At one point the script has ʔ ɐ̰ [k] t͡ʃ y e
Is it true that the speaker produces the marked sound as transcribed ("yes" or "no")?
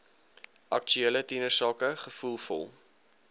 yes